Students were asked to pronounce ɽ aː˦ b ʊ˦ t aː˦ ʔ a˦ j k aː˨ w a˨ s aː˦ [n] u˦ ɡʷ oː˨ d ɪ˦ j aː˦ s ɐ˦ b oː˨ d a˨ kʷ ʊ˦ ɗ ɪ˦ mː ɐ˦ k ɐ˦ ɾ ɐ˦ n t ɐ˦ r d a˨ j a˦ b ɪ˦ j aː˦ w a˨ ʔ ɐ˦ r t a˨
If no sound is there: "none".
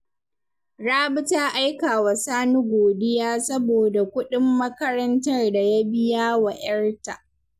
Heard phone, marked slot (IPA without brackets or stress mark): n